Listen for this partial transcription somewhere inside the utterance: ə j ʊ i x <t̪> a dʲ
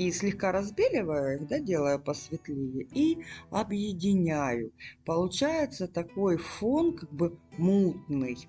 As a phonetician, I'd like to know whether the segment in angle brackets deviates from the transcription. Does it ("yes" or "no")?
yes